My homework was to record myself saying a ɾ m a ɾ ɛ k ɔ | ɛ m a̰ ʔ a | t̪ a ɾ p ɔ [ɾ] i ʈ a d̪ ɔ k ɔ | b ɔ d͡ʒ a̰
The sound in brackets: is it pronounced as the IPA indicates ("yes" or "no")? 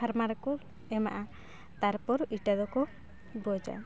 yes